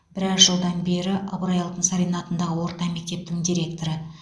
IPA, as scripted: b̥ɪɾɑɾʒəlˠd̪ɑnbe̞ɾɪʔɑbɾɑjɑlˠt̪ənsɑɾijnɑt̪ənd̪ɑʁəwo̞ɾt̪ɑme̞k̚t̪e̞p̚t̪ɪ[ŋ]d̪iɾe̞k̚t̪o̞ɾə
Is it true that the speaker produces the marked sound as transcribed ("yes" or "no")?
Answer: yes